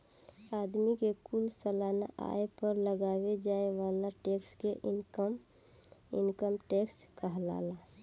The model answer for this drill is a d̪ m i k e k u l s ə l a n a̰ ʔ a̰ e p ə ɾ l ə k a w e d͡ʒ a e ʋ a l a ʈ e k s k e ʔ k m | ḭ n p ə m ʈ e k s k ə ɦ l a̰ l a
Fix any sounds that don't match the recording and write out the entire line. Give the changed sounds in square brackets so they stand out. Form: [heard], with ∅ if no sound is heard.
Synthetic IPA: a d̪ m i k e k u l s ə l a n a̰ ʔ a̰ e p ə ɾ l ə [ɡ] a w e d͡ʒ a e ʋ a l a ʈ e k s k e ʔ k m | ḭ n [k] ə m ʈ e k s k ə ɦ l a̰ l a